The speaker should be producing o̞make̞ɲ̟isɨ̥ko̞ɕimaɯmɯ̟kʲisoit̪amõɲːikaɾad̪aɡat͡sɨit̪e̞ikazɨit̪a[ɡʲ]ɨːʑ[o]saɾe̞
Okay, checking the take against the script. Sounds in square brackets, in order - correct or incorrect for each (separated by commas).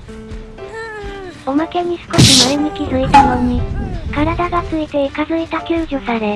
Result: incorrect, correct